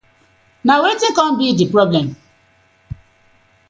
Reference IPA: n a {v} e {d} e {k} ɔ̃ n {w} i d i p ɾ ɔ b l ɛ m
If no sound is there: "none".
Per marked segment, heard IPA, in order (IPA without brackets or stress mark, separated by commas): w, t, k, b